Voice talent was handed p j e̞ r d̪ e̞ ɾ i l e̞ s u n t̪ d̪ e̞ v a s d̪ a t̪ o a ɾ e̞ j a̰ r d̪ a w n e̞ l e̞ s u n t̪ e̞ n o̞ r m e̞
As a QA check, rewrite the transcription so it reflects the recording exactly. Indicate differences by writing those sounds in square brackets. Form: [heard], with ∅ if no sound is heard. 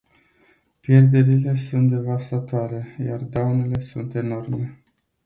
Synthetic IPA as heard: p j e̞ r d̪ e̞ ɾ i l e̞ s u n t̪ d̪ e̞ v a s [t̪] a t̪ o a ɾ e̞ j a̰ r d̪ a w n e̞ l e̞ s u n t̪ e̞ n o̞ r m e̞